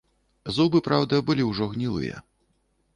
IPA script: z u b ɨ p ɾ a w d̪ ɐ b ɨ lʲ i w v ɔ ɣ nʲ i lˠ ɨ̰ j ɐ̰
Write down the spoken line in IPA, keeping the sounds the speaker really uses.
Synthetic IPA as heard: z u b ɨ p ɾ a w d̪ ɐ b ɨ lʲ i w ʐ ɔ ɣ nʲ i lˠ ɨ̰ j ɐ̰